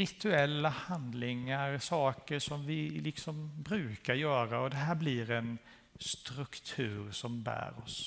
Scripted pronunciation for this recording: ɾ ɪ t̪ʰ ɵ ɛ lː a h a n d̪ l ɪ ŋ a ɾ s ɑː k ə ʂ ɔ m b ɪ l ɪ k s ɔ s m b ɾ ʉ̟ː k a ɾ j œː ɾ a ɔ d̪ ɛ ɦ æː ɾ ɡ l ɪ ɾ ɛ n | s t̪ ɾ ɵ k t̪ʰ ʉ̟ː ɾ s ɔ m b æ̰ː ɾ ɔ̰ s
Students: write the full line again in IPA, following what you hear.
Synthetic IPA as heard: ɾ ɪ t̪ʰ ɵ ɛ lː a h a n d̪ l ɪ ŋ a ɾ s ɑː k ə ʂ ɔ m v ɪ l ɪ k s ɔ m b ɾ ʉ̟ː k a ɾ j œː ɾ a ɔ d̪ ɛ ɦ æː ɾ b l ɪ ɾ ɛ n | s t̪ ɾ ɵ k t̪ʰ ʉ̟ː ɾ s ɔ m b æ̰ː ɾ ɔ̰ s